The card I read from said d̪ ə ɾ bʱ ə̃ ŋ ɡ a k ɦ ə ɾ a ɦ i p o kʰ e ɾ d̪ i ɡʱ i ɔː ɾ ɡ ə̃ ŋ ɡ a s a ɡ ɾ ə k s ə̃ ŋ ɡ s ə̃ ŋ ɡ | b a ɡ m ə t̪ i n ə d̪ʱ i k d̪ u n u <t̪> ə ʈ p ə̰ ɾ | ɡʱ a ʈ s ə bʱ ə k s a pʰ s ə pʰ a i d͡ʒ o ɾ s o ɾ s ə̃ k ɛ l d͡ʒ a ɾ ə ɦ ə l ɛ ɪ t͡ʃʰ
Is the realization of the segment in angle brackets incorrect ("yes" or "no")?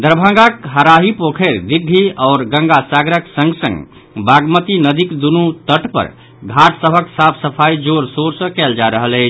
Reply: no